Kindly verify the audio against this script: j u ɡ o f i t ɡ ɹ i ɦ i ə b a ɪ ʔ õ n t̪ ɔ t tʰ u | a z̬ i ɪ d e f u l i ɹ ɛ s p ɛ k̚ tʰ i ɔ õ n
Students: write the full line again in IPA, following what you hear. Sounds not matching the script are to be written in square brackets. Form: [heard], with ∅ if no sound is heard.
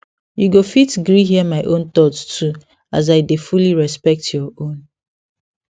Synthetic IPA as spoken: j u ɡ o f i t ɡ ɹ i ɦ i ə [m] a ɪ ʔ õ n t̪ ɔ t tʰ u | a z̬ [a] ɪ d e f u l i ɹ ɛ s p ɛ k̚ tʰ [j] ɔ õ n